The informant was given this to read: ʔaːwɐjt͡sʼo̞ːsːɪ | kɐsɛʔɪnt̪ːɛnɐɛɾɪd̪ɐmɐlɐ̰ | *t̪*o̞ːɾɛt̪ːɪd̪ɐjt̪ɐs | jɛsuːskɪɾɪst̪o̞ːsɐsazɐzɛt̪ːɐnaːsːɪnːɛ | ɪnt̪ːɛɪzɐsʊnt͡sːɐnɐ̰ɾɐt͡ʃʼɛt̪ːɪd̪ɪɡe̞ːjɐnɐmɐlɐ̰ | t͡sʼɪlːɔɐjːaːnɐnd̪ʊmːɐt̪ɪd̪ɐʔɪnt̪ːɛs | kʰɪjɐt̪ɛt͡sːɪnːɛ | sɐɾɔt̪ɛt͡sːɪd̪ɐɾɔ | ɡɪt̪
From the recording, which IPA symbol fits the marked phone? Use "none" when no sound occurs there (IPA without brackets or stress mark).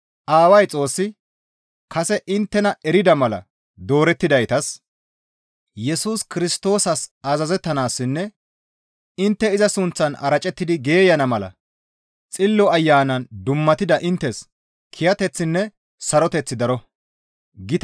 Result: d̪